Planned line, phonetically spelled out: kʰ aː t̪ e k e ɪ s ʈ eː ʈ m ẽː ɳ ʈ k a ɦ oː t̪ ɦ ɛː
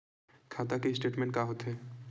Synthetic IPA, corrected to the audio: kʰ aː t̪ a k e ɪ s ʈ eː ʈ m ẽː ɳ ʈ k a ɦ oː t̪ ɦ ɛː

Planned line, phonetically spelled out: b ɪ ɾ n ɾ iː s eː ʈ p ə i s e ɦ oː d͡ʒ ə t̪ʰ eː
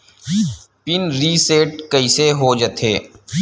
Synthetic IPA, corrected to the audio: p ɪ n ɾ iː s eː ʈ k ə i s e ɦ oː d͡ʒ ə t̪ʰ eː

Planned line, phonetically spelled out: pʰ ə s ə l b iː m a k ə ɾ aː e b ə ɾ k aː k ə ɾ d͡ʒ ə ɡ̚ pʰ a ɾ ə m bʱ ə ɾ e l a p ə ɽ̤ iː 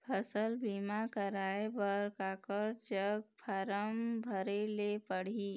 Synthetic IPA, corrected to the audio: pʰ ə s ə l b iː m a k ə ɾ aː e b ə ɾ k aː k ə ɾ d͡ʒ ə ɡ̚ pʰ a ɾ ə m bʱ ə ɾ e l e p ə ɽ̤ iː

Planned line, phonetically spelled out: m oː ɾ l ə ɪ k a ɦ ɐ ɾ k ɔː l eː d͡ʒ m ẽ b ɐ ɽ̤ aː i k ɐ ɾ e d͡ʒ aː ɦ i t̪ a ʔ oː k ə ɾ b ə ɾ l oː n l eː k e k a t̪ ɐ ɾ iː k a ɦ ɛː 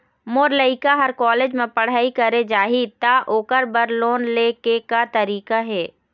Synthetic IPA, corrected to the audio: m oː ɾ l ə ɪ k a ɦ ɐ ɾ k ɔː l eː d͡ʒ m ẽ p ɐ ɽ̤ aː i k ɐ ɾ e d͡ʒ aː ɦ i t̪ a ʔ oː k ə ɾ b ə ɾ l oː n l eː k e k a t̪ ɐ ɾ iː k a ɦ ɛː

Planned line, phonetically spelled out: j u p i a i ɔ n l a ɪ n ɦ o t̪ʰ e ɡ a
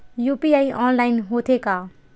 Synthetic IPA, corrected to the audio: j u p i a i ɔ n l a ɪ n ɦ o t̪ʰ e k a

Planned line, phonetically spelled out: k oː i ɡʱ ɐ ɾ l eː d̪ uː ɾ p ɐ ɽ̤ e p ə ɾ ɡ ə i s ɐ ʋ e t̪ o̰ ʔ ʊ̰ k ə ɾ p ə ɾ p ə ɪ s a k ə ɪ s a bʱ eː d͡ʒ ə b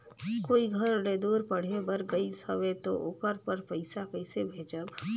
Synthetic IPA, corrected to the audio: k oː i ɡʱ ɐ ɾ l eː d̪ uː ɾ p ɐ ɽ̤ e b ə ɾ ɡ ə i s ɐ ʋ e t̪ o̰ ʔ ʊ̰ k ə ɾ p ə ɾ p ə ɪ s a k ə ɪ s e bʱ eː d͡ʒ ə b

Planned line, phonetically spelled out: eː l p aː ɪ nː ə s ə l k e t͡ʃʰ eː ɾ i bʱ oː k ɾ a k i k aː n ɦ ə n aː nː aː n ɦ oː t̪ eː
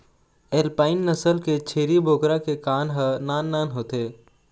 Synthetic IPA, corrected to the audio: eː l p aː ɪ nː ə s ə l k e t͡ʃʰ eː ɾ i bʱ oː k ɾ a k e k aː n ɦ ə n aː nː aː n ɦ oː t̪ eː

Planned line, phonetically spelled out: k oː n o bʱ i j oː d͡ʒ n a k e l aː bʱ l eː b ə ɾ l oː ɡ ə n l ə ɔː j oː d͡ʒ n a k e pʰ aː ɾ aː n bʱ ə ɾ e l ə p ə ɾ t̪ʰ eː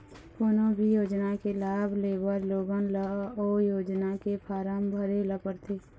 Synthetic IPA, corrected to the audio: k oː n o bʱ i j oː d͡ʒ n a k e l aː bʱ l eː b ə ɾ l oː ɡ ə n l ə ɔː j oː d͡ʒ n a k e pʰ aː ɾ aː m bʱ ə ɾ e l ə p ə ɾ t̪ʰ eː

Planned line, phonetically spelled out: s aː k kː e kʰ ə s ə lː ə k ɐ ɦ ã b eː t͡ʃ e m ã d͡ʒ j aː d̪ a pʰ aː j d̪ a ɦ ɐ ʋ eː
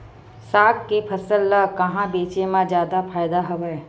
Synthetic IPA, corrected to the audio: s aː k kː e pʰ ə s ə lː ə k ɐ ɦ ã b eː t͡ʃ e m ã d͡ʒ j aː d̪ a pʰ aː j d̪ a ɦ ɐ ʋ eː

